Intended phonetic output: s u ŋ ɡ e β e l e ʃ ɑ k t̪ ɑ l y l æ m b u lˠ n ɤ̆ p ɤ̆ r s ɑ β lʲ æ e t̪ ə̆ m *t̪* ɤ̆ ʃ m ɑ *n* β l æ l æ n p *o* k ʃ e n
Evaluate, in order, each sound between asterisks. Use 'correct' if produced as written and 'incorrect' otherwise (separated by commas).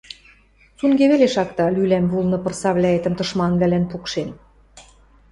correct, correct, incorrect